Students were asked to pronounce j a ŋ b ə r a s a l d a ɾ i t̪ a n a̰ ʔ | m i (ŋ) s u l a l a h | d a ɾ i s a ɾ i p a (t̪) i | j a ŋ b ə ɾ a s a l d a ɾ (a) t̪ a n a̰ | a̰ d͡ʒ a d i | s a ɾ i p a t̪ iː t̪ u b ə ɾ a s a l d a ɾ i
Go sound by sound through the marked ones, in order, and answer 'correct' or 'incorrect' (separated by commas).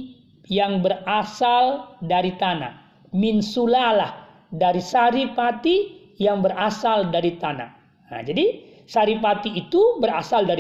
incorrect, correct, incorrect